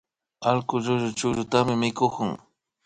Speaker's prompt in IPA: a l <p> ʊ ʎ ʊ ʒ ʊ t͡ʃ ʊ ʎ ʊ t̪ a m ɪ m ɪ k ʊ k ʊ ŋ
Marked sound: incorrect: k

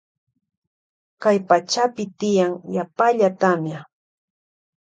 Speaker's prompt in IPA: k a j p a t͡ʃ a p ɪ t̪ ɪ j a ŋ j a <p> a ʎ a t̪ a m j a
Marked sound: correct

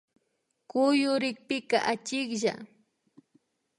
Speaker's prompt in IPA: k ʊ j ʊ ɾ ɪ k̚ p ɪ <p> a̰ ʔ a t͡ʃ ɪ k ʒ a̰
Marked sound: incorrect: k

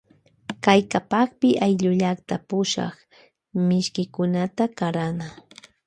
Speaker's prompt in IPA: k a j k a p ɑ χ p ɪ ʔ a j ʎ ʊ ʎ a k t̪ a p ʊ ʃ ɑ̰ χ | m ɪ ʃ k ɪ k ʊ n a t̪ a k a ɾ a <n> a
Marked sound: correct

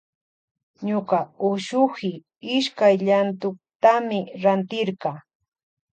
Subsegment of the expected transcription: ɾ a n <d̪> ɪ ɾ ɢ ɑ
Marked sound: incorrect: t̪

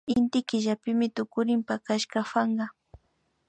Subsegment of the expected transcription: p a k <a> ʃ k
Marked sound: correct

